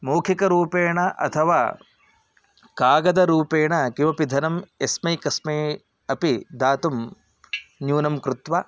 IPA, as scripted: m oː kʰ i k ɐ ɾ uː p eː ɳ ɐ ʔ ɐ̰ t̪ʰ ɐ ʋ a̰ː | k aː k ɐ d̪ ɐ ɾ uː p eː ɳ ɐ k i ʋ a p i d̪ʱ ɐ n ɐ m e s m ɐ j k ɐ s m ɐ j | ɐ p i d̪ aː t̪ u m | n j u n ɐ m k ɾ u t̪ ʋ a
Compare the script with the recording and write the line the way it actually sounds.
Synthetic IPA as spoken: m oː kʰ i k ɐ ɾ uː p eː ɳ ɐ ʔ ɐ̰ t̪ʰ ɐ ʋ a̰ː | k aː ɡ ɐ d̪ ɐ ɾ uː p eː ɳ ɐ k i ʋ ɐ p i d̪ʱ ɐ n ɐ m e s m ɐ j k ɐ s m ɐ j | ɐ p i d̪ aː t̪ u m | n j uː n ɐ m k ɾ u t̪ ʋ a

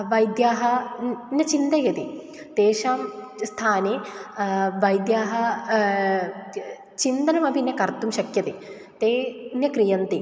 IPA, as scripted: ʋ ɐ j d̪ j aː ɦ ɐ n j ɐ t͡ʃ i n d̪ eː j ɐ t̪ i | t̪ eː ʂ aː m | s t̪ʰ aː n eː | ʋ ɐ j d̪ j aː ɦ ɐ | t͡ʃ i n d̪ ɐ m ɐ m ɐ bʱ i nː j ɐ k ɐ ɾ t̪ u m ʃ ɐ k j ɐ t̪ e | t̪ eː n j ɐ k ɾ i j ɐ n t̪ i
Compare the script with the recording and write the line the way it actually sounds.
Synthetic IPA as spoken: ʋ ɐ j d̪ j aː ɦ ɐ n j ɐ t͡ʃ i n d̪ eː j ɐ t̪ i | t̪ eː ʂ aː m | s t̪ʰ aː n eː | ʋ ɐ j d̪ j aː ɦ ɐ | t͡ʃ i n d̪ ɐ n ɐ m ɐ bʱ i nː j ɐ k ɐ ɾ t̪ u m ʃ ɐ k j ɐ t̪ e | t̪ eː n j ɐ k ɾ i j ɐ n t̪ i

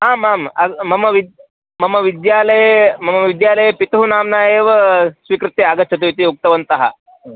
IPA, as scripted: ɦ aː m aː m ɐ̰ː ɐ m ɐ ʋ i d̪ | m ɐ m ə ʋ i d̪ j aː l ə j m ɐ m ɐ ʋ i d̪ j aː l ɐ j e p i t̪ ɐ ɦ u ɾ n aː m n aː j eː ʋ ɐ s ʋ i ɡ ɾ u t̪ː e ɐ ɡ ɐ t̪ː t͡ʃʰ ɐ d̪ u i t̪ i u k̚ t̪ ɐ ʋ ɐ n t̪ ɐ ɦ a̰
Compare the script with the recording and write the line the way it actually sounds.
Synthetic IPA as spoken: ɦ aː m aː m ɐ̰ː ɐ m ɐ ʋ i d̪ | m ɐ m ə ʋ i d̪ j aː l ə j m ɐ m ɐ ʋ i d̪ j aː l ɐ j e p i t̪ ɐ ɦ u n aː m n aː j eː ʋ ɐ s ʋ i k ɾ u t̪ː e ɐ ɡ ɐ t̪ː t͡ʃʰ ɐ t̪ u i t̪ i u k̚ t̪ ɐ ʋ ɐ n t̪ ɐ ɦ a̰

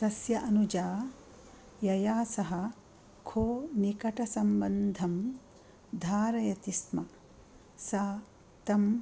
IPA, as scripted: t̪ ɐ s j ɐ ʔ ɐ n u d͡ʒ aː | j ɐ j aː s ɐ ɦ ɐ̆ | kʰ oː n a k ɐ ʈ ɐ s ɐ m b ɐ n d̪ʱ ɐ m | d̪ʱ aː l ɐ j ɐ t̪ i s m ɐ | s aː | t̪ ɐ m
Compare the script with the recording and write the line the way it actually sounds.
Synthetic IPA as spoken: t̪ ɐ s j ɐ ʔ ɐ n u d͡ʒ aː | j ɐ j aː s ɐ ɦ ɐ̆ | kʰ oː n i k ɐ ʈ ɐ s ɐ m b ɐ n d̪ʱ ɐ m | d̪ʱ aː ɾ ɐ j ɐ t̪ i s m ɐ | s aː | t̪ ɐ m

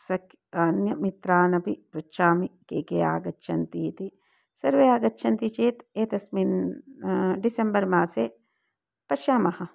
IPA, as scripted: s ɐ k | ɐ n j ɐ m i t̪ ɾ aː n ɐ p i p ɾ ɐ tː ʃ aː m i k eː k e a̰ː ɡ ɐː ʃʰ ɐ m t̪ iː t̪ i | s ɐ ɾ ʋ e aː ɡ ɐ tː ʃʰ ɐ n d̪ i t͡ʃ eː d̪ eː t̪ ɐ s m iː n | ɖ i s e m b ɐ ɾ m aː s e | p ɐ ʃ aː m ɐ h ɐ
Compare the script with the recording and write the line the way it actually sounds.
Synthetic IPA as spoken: s ɐ k | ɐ n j ɐ m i t̪ ɾ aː n ɐ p i p ɾ ɐ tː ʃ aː m i k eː k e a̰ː ɡ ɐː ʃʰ ɐ n t̪ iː t̪ i | s ɐ ɾ ʋ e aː ɡ ɐ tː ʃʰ ɐ n t̪ i t͡ʃ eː t̪ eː t̪ ɐ s m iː n | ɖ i s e m b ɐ ɾ m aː s e | p ɐ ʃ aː m ɐ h ɐ

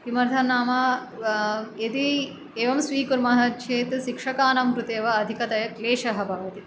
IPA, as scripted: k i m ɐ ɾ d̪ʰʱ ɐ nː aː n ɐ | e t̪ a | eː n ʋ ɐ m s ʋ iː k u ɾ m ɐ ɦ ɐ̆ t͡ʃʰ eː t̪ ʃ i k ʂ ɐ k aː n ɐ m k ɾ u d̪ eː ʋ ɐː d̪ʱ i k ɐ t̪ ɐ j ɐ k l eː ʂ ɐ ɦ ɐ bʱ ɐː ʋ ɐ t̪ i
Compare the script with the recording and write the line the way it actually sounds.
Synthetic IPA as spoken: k i m ɐ ɾ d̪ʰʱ ɐ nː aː m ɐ | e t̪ i | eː ʋ ɐ m s ʋ iː k u ɾ m ɐ ɦ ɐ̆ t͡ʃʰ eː t̪ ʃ i k ʂ ɐ k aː n ɐ m k ɾ u t̪ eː ʋ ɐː d̪ʱ i k ɐ t̪ ɐ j ɐ k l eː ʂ ɐ ɦ ɐ bʱ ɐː ʋ ɐ t̪ i

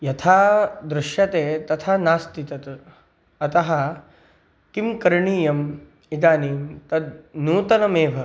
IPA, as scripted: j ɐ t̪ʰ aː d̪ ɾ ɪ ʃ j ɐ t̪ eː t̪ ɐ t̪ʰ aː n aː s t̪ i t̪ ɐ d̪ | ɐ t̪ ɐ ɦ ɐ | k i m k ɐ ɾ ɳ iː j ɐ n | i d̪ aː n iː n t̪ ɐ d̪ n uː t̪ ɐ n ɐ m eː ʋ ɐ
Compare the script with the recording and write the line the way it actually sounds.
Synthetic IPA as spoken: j ɐ t̪ʰ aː d̪ ɾ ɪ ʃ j ɐ t̪ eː t̪ ɐ t̪ʰ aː n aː s t̪ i t̪ ɐ t̪ | ɐ t̪ ɐ ɦ ɐ | k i m k ɐ ɾ ɳ iː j ɐ m | i d̪ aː n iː m t̪ ɐ d̪ n uː t̪ ɐ n ɐ m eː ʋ ɐ

